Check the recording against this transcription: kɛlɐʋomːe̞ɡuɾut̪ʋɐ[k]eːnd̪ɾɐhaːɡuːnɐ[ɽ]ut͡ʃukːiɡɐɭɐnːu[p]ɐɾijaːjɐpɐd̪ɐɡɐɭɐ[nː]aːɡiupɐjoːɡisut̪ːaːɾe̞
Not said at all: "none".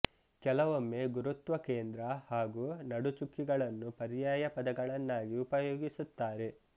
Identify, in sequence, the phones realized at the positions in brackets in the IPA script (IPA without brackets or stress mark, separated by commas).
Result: k, ɽ, p, nː